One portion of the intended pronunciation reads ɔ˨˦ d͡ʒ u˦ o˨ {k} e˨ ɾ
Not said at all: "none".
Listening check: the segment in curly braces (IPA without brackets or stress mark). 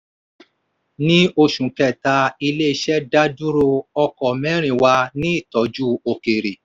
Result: k